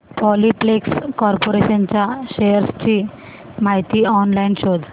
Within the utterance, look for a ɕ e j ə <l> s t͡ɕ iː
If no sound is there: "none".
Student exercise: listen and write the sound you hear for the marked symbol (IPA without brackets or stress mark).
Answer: ɾ